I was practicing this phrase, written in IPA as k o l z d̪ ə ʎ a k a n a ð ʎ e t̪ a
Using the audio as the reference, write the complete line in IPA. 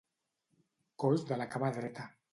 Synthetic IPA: k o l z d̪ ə l a k a m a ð ɾ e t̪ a